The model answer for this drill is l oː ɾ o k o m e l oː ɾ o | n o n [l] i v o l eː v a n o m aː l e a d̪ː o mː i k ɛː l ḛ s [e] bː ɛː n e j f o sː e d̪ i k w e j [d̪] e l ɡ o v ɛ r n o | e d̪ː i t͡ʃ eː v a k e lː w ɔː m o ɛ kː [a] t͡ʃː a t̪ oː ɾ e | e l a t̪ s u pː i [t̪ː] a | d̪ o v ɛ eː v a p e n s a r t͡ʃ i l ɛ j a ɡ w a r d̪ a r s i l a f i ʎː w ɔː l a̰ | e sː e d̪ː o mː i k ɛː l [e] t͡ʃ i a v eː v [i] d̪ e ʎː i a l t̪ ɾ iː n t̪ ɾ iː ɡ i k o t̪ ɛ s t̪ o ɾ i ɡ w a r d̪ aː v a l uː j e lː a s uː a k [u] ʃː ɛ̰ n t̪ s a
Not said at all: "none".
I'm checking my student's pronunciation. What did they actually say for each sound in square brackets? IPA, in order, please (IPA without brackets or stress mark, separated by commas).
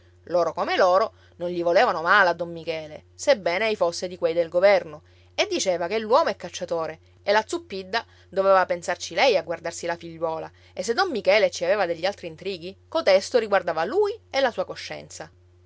ʎ, e, d̪, a, d̪ː, e, a, o